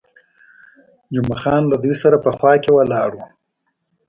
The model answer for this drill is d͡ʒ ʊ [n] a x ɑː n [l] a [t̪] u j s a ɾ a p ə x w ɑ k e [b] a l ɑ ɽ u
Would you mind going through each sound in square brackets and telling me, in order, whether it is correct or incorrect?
incorrect, correct, incorrect, incorrect

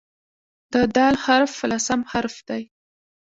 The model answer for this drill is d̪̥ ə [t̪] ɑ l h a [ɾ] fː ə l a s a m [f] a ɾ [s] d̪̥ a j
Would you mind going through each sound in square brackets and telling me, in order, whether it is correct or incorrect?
incorrect, correct, incorrect, incorrect

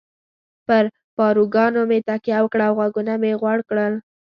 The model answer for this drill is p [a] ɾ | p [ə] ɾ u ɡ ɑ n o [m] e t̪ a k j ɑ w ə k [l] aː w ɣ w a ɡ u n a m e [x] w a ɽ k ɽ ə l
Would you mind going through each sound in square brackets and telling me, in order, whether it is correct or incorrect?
incorrect, incorrect, correct, incorrect, incorrect

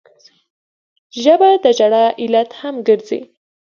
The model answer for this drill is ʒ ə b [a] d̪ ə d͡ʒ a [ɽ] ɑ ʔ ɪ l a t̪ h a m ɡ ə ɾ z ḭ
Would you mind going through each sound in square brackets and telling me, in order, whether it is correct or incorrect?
correct, correct

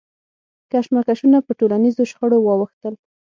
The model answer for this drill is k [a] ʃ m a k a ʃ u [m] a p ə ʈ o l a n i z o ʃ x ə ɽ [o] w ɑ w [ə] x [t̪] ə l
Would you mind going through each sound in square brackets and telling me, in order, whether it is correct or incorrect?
correct, incorrect, correct, correct, correct

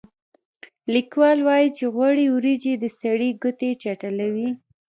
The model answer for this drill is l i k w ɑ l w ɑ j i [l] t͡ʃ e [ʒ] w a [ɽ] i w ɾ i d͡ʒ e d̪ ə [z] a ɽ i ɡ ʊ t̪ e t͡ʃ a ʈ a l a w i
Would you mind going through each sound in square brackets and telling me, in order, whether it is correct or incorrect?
incorrect, incorrect, correct, incorrect

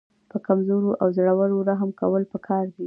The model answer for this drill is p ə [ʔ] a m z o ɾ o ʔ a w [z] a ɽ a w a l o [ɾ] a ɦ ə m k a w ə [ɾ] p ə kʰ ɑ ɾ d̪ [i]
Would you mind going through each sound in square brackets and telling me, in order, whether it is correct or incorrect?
incorrect, correct, correct, incorrect, correct

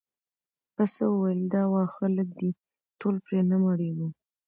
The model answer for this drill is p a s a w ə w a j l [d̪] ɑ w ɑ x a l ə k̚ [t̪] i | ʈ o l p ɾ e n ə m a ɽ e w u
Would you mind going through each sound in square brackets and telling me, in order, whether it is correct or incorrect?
correct, incorrect

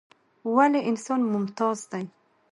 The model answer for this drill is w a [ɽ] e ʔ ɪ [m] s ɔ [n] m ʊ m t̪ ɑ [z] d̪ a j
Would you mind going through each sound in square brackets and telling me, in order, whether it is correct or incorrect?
incorrect, incorrect, correct, correct

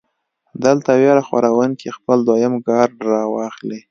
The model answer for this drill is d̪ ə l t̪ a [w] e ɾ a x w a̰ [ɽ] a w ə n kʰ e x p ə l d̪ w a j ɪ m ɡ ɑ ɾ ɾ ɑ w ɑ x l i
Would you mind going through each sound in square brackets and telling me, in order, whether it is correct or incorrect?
correct, incorrect

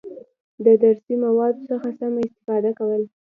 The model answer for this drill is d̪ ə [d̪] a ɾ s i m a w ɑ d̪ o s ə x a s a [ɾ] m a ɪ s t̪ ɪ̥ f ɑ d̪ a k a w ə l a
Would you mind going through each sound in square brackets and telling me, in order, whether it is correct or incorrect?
correct, incorrect

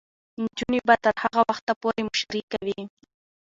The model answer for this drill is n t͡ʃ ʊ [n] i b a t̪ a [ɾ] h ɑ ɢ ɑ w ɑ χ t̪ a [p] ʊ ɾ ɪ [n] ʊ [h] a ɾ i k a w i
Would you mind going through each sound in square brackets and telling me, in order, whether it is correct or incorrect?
correct, correct, correct, incorrect, incorrect

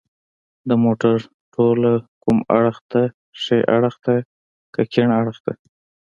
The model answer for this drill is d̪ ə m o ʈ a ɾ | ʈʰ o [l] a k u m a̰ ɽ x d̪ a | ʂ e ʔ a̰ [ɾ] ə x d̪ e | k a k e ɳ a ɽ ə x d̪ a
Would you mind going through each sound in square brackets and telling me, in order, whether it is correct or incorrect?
correct, incorrect

